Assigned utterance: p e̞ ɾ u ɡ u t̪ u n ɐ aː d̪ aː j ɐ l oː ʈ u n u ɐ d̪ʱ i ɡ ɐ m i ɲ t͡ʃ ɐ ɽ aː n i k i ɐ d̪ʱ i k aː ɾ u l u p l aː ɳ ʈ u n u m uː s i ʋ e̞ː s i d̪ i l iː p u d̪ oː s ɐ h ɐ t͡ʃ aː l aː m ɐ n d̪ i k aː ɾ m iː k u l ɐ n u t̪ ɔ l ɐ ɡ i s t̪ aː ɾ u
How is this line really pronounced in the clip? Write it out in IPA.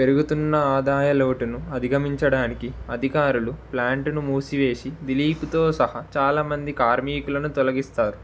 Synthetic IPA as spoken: p e̞ ɾ u ɡ u t̪ u nː ɐ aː d̪ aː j ɐ l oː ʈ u n u ɐ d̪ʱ i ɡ ɐ m i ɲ t͡ʃ ɐ ɽ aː n i k i ɐ d̪ʱ i k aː ɾ u l u p l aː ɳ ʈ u n u m uː s i ʋ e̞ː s i d̪ i l iː p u t̪ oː s ɐ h ɐ t͡ʃ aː l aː m ɐ n d̪ i k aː ɾ m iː k u l ɐ n u t̪ ɔ l ɐ ɡ i s t̪ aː ɾ u